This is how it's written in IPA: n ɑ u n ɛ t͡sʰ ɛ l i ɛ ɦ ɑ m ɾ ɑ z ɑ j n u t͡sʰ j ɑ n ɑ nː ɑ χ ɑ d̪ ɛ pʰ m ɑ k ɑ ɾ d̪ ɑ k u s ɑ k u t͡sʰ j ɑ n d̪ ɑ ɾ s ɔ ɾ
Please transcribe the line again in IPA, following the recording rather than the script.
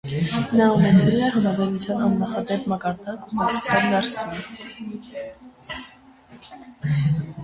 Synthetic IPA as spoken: n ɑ u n ɛ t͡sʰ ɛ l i ɛ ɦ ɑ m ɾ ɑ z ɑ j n u t͡sʰ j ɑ n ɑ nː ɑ χ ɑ d̪ ɛ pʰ m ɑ k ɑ ɾ d̪ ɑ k u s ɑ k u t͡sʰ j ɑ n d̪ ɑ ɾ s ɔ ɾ